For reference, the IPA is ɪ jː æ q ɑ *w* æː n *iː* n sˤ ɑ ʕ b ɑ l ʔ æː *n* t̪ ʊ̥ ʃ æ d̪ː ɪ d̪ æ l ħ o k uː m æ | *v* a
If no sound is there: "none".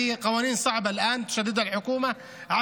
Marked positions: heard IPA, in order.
w, iː, n, ʕ

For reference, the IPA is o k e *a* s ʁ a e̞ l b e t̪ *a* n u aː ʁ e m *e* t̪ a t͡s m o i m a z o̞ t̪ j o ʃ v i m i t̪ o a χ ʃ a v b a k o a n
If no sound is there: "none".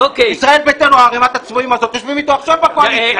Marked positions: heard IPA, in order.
i, e, a

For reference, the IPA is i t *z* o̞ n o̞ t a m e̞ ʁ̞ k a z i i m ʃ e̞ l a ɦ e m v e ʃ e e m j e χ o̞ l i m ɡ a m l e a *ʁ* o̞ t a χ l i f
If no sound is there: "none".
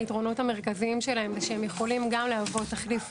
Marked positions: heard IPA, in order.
ʁ, v

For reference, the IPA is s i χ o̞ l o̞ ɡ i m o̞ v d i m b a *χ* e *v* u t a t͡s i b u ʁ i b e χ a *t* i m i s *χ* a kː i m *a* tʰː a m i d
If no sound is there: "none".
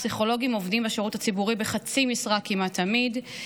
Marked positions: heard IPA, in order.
ʃ, ʁ, t͡s, ʁ, a

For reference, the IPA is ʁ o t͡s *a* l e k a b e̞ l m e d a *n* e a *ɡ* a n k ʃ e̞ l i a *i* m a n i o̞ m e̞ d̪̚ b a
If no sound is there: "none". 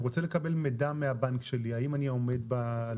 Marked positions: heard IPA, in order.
e, m, b, i

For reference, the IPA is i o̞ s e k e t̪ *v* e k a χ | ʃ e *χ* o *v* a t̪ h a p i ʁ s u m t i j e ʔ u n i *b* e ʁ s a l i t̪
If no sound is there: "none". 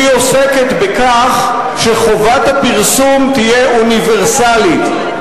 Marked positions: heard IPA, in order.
b, χ, v, v

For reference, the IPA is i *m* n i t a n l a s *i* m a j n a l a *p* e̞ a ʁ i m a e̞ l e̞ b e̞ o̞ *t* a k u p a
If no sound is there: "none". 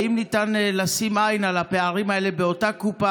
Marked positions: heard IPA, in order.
m, i, p, t

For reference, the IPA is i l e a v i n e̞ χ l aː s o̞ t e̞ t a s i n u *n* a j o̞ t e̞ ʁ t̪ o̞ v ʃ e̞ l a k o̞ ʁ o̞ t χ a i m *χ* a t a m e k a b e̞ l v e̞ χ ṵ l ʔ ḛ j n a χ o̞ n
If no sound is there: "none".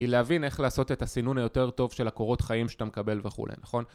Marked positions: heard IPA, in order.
n, ʃ

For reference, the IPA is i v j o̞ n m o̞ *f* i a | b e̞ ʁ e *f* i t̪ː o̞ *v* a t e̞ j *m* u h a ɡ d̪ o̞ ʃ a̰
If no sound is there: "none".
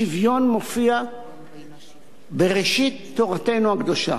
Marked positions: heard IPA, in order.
f, ʃ, ʁ, n

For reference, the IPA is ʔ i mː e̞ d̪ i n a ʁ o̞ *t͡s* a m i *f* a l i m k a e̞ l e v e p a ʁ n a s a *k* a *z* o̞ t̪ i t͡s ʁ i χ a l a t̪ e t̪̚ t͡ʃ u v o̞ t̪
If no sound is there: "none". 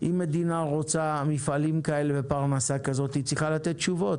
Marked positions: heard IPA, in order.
t͡s, f, k, z

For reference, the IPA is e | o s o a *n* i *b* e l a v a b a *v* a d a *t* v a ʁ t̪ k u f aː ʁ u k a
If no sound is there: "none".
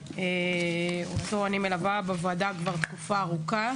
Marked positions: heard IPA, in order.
n, m, v, k

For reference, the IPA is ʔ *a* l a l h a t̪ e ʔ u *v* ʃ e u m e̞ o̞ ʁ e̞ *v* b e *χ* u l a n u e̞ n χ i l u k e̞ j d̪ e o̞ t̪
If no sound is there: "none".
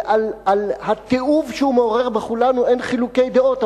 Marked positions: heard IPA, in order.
a, v, ʁ, χ

